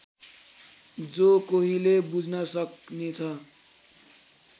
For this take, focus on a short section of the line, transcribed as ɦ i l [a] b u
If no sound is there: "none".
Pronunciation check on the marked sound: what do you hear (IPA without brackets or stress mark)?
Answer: e